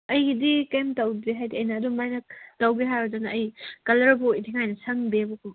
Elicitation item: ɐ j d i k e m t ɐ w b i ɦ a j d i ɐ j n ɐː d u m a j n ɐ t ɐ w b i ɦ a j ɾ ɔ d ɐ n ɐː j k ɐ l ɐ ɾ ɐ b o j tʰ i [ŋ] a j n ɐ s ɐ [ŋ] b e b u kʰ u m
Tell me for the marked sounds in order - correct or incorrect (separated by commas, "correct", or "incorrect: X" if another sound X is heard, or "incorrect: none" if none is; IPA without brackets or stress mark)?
correct, correct